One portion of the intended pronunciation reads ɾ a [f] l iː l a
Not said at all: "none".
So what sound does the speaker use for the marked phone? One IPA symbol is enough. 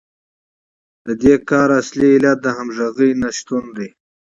s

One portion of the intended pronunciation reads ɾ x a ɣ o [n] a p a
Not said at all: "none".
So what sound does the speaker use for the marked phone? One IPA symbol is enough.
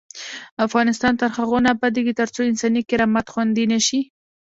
n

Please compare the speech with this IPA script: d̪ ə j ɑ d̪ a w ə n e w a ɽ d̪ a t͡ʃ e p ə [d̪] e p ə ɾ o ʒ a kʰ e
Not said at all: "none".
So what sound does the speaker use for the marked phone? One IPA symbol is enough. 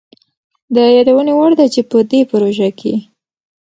d̪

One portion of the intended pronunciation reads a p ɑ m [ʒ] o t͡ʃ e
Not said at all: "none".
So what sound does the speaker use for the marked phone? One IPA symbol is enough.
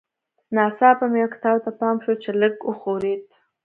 ʃ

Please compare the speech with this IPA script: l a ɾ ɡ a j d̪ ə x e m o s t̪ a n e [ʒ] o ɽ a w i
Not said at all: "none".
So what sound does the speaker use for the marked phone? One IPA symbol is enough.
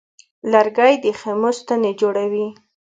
d͡ʒ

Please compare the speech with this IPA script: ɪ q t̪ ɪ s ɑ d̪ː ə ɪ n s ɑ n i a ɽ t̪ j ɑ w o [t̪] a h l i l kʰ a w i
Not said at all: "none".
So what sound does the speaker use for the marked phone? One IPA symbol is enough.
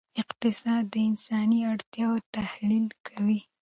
t̪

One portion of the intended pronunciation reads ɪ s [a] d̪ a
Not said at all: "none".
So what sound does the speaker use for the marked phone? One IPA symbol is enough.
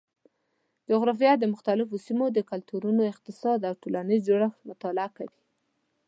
ɑ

